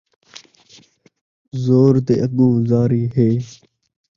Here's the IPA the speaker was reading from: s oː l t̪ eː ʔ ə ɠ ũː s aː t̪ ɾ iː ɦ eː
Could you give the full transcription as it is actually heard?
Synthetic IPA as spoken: z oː ɾ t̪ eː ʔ ə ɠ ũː z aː ɾ iː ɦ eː

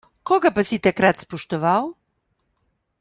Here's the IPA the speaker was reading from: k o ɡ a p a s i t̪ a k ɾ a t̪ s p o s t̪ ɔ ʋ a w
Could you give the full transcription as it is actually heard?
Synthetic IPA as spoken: k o ɡ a p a s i t̪ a k ɾ a t̪ s p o ʃ t̪ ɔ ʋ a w

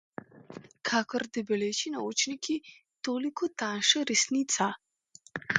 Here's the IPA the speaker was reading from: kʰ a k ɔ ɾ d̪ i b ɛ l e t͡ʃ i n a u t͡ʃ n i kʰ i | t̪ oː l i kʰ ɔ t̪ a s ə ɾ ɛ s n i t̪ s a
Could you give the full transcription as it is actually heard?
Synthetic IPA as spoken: kʰ a k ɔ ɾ d̪ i b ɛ l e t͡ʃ i n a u t͡ʃ n i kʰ i | t̪ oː l i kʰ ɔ t̪ a ʃ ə ɾ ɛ s n i t̪ s a

